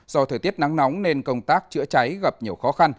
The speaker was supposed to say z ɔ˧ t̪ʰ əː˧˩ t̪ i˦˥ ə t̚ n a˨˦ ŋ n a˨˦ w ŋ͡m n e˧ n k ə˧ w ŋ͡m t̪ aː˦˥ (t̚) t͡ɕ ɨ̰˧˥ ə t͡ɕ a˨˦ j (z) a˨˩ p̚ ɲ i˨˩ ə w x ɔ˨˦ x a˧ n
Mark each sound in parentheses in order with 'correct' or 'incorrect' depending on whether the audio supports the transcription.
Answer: incorrect: k̚, incorrect: ɣ

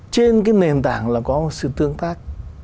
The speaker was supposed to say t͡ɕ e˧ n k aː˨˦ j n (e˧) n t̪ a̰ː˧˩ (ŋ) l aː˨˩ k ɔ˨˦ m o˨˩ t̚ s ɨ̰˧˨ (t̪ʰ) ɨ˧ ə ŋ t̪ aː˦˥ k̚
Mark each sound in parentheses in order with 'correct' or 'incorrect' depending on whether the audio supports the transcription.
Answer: incorrect: e˨˩, correct, incorrect: t̪

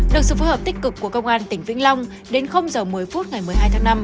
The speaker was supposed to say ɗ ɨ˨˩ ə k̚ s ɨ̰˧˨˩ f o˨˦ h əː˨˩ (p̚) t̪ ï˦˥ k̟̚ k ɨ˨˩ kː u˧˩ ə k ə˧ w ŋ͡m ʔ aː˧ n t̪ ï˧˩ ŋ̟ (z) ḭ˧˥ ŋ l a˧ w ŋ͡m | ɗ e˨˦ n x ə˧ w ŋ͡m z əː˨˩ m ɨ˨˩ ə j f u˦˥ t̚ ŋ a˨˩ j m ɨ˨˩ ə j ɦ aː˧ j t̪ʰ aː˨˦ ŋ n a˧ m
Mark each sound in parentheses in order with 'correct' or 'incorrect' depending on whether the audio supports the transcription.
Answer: correct, incorrect: v

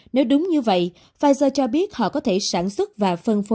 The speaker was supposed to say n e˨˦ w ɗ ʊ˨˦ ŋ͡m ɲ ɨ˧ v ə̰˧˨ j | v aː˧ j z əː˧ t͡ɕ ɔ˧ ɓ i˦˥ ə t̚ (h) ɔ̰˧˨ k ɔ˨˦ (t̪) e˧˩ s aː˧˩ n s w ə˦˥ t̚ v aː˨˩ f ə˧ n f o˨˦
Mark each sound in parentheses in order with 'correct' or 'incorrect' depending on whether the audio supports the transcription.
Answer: correct, incorrect: t̪ʰ

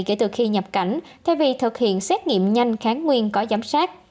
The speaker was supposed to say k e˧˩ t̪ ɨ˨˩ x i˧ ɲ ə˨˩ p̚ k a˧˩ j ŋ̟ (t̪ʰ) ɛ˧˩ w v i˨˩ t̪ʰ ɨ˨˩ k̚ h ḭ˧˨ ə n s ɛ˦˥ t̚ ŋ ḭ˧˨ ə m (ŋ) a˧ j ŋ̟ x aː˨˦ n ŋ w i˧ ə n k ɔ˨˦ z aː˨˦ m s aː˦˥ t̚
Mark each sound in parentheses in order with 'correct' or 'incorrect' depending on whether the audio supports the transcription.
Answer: correct, incorrect: ɲ

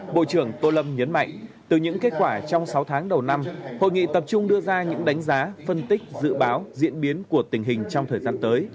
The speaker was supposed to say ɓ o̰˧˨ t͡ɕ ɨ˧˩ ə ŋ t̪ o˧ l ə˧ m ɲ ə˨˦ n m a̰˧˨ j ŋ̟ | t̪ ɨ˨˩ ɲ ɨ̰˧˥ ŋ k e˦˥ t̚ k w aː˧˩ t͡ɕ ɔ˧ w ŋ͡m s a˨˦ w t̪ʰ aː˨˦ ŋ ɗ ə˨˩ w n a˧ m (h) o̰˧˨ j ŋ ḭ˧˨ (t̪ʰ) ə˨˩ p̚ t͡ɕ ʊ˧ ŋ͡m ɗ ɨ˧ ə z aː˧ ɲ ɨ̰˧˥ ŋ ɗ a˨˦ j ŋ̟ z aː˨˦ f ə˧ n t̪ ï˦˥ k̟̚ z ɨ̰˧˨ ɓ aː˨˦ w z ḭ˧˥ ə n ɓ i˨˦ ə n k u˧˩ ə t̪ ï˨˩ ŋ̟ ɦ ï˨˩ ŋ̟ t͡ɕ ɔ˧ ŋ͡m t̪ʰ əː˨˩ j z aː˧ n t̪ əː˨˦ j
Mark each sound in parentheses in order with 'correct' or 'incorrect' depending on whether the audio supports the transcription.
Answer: correct, incorrect: t̪

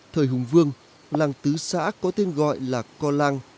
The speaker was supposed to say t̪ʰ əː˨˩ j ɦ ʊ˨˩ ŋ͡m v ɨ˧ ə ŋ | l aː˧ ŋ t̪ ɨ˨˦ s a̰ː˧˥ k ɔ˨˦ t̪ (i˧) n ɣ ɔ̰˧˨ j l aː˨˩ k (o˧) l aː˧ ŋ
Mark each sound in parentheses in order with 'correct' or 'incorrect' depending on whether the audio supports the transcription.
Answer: incorrect: e˧, incorrect: ɔ˧

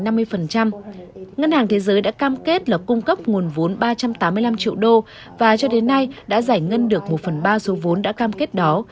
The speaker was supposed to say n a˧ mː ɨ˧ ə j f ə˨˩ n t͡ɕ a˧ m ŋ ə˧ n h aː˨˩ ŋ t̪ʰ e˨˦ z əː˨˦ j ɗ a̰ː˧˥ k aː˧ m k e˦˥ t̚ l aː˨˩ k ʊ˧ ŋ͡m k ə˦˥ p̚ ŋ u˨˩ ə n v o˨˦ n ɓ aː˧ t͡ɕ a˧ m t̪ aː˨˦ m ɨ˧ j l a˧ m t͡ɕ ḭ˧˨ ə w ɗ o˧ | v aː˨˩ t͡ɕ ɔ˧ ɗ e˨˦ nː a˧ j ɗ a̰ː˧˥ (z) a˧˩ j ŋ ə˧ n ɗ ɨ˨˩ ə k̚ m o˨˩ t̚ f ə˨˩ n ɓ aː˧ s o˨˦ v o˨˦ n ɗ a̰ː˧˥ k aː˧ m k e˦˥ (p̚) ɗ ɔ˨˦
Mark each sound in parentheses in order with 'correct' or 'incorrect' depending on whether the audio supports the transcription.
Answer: correct, incorrect: t̚

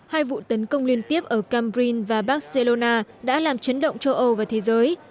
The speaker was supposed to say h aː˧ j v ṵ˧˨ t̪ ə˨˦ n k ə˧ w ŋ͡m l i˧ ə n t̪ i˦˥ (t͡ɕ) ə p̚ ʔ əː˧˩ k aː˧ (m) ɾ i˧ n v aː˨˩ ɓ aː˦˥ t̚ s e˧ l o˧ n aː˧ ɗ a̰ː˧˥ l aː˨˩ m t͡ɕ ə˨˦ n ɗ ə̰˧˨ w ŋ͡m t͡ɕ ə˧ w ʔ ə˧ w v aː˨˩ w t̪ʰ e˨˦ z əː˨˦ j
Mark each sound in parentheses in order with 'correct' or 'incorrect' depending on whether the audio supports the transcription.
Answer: incorrect: none, correct

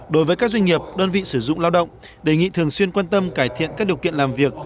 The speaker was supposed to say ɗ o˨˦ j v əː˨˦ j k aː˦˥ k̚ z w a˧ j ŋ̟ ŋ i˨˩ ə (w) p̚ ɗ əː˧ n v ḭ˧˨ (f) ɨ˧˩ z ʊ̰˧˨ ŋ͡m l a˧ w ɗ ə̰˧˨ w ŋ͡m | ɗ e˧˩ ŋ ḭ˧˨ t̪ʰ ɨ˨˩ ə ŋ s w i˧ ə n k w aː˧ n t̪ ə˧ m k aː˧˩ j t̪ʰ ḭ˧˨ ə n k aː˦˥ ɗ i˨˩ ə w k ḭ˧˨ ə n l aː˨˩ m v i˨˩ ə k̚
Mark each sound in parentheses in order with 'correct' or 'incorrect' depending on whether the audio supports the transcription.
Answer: incorrect: none, incorrect: s

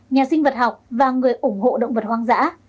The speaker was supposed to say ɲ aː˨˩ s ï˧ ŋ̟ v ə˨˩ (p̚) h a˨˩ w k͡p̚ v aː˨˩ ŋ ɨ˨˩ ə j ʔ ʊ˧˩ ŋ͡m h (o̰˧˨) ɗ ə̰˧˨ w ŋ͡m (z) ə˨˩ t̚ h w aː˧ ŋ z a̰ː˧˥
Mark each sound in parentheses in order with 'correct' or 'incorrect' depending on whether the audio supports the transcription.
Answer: incorrect: t̚, correct, incorrect: v

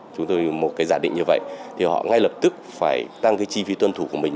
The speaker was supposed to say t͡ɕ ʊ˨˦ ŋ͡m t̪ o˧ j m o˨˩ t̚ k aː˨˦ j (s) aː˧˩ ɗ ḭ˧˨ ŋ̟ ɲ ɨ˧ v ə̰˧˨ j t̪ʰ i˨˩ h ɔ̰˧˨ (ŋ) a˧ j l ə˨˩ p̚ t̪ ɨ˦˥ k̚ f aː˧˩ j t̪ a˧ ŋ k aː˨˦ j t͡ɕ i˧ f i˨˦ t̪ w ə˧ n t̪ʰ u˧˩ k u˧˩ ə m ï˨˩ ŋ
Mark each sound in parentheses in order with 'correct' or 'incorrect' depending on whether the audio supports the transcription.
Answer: incorrect: z, correct

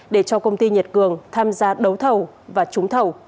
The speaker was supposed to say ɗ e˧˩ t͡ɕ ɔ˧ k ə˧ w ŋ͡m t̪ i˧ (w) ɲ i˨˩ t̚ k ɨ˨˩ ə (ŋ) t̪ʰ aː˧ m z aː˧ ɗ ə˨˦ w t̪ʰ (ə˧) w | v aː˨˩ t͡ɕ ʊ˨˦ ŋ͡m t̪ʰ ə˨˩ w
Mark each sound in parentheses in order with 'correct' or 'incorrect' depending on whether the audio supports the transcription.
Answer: incorrect: none, correct, incorrect: ə˨˩

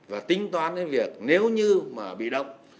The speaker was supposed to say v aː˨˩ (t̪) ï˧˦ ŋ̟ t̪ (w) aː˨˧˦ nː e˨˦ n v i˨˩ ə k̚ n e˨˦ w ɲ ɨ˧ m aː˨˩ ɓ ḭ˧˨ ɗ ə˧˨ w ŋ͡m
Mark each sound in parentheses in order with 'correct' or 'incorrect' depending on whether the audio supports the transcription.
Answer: correct, correct

